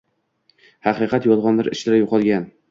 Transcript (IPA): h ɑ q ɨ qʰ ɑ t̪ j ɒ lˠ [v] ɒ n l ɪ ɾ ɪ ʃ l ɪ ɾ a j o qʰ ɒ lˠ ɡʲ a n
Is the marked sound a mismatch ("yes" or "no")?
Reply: yes